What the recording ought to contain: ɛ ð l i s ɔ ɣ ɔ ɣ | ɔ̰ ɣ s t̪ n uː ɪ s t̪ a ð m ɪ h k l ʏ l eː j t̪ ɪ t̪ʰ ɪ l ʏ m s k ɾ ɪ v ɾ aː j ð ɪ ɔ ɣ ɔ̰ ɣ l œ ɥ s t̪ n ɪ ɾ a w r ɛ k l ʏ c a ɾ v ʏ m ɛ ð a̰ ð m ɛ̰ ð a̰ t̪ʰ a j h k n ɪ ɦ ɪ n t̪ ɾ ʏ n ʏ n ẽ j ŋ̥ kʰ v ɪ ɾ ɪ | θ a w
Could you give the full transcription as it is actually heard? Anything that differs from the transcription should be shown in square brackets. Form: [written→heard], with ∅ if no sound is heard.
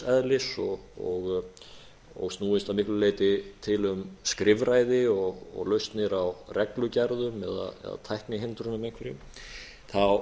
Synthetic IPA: ɛ ð l [i→ɪ] s ɔ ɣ ɔ ɣ | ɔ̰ ɣ s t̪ n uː ɪ s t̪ a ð m ɪ h k l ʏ l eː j t̪ ɪ t̪ʰ ɪ l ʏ m s k ɾ ɪ v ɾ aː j ð ɪ ɔ ɣ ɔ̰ ɣ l œ ɥ s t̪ n ɪ ɾ a w r ɛ k l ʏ c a ɾ [v→ð] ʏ m ɛ ð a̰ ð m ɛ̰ ð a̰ t̪ʰ a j h k n ɪ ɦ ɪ n t̪ ɾ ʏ n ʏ [n→m] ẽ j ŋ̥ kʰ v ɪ ɾ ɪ | θ a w